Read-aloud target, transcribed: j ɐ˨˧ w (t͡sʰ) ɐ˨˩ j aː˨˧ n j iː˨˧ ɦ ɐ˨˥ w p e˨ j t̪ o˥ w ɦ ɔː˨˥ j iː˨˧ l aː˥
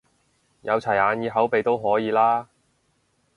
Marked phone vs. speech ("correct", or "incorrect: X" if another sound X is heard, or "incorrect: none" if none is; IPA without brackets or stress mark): correct